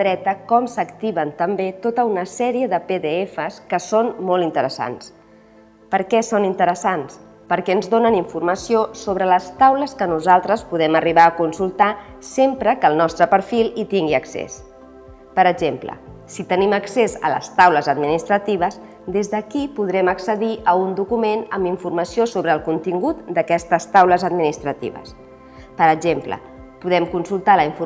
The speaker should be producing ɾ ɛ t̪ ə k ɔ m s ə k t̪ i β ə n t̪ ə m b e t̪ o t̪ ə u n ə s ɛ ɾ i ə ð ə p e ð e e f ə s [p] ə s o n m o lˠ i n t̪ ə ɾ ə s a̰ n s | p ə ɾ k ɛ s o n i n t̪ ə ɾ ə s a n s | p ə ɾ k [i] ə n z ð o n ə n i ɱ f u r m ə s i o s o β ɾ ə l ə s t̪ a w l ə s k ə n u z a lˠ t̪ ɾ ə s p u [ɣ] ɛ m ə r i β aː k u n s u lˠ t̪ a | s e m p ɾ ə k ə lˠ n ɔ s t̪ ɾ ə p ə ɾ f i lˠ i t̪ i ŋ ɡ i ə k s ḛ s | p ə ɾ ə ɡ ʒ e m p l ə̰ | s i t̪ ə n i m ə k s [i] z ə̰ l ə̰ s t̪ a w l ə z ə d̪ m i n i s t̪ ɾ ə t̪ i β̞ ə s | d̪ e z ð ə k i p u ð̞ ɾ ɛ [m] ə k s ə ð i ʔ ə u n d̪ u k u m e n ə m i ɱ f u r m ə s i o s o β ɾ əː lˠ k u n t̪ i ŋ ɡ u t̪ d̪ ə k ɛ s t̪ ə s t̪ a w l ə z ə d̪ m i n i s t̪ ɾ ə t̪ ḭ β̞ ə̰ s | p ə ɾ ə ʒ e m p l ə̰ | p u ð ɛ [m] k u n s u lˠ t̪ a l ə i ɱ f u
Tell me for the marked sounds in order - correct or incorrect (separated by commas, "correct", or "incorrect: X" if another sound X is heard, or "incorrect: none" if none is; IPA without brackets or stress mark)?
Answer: incorrect: k, incorrect: ɛ, incorrect: ð, incorrect: e, correct, correct